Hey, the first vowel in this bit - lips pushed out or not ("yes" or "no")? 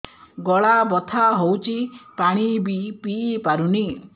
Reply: yes